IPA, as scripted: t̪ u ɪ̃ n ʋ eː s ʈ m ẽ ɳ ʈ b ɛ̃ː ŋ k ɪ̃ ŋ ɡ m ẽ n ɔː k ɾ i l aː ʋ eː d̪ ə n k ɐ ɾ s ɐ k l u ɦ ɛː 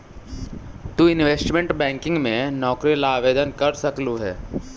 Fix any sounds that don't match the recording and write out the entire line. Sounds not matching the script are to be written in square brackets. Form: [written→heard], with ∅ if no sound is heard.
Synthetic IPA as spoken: t̪ u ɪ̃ n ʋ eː s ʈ m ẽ ɳ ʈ b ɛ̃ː ŋ k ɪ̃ ŋ ɡ m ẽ n ɔː k ɾ i l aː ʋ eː d̪ ə n k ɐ ɾ s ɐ k l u ɦ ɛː